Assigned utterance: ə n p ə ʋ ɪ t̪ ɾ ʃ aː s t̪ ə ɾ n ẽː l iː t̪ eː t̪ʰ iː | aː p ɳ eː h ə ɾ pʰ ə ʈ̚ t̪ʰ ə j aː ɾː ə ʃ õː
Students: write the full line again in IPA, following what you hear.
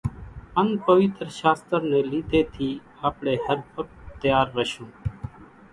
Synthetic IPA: ə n p ə ʋ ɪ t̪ ɾ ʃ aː s t̪ ə ɾ n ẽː l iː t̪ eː t̪ʰ iː | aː p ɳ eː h ə ɾ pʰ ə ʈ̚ t̪ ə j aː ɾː ə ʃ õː